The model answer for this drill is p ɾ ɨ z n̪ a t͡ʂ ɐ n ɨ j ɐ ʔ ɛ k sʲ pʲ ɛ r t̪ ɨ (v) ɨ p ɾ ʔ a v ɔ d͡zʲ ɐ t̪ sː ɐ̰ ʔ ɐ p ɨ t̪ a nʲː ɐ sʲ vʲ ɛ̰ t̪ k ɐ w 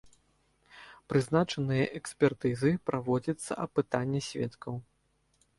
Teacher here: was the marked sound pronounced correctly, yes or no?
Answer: no